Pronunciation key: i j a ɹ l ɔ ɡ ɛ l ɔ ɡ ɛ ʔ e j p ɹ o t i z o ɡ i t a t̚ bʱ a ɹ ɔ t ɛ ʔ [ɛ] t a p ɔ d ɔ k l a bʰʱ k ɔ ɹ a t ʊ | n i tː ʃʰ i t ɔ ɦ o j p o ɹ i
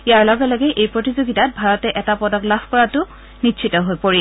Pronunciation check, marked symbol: correct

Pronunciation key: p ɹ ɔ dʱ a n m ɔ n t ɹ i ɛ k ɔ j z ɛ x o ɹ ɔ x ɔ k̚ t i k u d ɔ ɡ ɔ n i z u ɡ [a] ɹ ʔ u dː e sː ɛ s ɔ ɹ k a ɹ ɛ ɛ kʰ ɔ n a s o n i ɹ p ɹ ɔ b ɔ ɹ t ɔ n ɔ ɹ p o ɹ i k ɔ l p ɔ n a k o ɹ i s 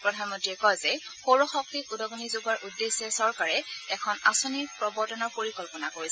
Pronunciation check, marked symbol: correct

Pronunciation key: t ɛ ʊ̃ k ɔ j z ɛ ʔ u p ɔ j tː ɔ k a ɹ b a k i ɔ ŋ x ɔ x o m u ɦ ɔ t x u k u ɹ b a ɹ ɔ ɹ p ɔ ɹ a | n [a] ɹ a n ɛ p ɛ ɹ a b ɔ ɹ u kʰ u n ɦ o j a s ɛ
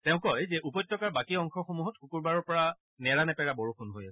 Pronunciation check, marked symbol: incorrect: ɛ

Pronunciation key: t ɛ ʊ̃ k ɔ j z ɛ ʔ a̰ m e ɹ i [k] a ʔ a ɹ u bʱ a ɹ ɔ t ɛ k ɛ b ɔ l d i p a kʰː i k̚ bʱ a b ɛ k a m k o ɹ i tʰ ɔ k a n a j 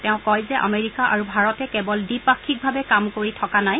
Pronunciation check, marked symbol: correct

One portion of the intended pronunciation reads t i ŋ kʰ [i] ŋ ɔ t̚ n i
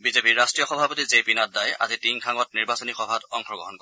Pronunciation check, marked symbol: incorrect: a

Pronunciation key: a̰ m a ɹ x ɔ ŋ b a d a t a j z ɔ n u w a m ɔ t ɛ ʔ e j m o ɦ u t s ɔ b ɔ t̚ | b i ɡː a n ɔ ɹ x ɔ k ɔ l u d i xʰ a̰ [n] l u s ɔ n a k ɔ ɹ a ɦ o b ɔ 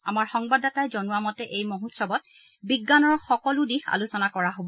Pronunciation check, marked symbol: incorrect: none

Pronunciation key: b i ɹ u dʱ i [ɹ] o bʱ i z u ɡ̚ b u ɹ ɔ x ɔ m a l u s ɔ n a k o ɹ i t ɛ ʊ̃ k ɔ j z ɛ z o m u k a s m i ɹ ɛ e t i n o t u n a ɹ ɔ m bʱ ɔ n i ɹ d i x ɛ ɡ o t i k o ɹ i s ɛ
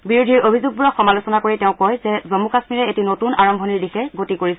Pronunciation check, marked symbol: correct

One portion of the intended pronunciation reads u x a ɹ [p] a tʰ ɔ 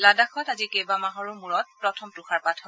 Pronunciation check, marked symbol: correct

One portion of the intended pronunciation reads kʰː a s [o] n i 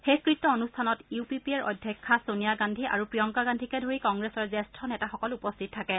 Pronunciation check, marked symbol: correct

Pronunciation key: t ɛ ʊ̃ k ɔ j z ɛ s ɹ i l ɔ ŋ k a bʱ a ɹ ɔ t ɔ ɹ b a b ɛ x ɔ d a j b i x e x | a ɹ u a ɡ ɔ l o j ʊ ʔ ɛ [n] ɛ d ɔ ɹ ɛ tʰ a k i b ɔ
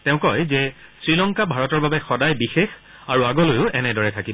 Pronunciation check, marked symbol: correct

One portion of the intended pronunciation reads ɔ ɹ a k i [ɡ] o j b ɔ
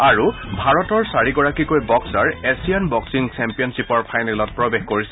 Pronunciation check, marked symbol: incorrect: k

